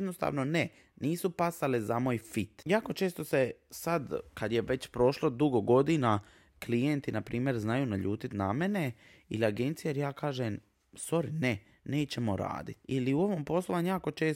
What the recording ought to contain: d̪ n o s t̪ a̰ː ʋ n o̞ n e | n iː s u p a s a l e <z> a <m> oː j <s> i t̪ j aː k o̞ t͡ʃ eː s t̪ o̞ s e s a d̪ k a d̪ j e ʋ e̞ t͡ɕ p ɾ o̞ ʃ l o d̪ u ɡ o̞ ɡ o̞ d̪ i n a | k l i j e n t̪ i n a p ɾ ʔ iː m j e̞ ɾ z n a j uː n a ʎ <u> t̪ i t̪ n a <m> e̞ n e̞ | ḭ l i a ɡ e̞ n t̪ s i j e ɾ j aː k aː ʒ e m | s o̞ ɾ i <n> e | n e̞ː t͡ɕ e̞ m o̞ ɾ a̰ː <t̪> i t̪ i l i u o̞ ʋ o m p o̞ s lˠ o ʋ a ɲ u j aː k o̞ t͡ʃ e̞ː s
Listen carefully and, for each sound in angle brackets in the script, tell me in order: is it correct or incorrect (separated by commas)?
correct, correct, incorrect, incorrect, correct, correct, incorrect